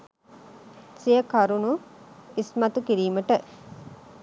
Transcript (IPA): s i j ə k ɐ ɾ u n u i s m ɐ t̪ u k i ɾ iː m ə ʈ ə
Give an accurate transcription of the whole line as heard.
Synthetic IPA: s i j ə k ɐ ɾ u n u i s m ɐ t̪ u k i ɾ iː m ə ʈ ə